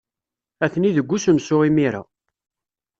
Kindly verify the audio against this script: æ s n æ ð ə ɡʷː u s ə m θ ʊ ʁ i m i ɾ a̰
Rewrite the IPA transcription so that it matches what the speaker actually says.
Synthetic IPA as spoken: æ θ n i ð ə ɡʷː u s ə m s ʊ ʁ i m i ɾ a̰